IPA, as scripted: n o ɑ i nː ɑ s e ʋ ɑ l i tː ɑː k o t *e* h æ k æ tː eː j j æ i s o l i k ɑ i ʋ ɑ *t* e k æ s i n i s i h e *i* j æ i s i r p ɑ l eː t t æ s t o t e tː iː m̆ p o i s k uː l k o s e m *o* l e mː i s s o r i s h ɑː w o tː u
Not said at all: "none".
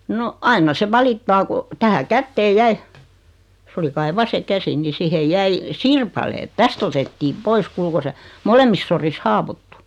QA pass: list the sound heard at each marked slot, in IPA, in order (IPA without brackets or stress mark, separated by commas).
æ, s, j, o